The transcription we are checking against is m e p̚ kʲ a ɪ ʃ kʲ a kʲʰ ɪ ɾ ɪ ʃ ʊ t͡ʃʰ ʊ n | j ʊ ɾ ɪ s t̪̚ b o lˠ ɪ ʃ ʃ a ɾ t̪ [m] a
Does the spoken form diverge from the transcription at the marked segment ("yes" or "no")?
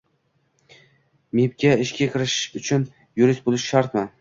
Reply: no